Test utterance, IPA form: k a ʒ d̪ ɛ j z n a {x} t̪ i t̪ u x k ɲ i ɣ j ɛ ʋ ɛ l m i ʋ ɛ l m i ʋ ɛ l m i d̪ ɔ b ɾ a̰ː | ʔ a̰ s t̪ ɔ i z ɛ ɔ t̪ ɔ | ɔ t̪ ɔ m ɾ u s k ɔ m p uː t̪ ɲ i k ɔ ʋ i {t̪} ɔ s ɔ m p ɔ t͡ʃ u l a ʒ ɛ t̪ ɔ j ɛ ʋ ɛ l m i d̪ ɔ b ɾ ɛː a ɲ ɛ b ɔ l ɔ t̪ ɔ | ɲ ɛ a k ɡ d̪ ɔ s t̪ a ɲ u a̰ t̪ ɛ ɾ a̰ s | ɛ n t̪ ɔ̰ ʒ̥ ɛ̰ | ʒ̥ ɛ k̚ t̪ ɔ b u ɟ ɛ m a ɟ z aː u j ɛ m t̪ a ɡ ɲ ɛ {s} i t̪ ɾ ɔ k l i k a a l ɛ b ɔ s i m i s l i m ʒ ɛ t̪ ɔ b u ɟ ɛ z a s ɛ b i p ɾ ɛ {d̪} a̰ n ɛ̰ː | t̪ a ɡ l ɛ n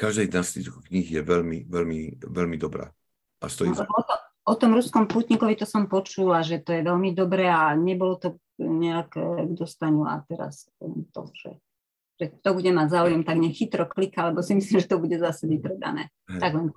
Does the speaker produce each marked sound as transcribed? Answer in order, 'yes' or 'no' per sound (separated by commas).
no, yes, no, yes